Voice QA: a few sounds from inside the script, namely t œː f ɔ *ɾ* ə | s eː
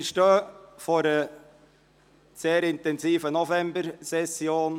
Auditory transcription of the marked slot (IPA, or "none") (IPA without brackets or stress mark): ɾ